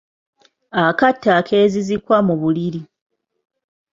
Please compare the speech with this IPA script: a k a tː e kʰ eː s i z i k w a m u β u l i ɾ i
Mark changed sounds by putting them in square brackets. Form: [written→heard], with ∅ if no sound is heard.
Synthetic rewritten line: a k a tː [e→a] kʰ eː [s→z] i z i k w a m u β u l i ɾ i